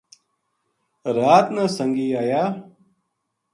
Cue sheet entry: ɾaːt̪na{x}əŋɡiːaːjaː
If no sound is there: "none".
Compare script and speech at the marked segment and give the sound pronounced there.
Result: s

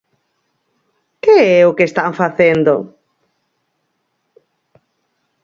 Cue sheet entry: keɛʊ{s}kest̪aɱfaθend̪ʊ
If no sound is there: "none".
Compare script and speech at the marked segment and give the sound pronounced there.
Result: none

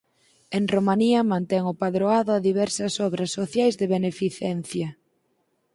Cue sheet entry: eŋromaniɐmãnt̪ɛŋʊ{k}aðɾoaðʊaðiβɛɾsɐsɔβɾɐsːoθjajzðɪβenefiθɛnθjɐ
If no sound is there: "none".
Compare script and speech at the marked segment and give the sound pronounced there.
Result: p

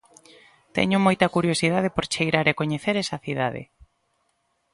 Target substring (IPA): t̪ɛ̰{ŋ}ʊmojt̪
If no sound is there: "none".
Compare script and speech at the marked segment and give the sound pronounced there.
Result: ɲ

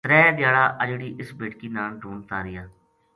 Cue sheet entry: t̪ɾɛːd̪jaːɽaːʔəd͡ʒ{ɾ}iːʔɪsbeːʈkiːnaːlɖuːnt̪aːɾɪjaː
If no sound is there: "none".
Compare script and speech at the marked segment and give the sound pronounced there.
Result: ɽ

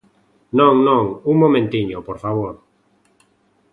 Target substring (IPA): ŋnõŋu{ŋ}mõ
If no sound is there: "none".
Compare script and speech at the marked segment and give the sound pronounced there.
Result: ŋ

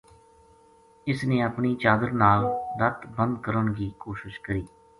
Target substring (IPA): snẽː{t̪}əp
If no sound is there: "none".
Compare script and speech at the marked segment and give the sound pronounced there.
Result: none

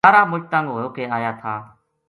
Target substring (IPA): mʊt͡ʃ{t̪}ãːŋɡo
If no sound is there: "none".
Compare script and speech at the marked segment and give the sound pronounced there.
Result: t̪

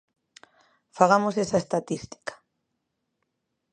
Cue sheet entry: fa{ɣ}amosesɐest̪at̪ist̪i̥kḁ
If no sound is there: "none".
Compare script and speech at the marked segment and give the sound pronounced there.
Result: ɣ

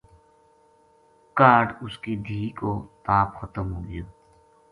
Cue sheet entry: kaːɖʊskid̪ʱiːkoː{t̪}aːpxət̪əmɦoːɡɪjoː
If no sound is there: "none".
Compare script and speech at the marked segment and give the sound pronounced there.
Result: t̪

